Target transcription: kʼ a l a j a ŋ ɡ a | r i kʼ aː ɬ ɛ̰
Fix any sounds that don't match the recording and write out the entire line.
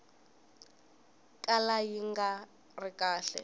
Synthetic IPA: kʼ a l a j i ŋ ɡ a | r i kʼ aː ɬ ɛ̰